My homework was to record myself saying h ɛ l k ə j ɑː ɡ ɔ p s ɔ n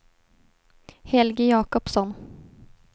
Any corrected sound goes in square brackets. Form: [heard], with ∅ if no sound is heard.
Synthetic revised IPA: h ɛ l [ɡ] ə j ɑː [k] ɔ p s ɔ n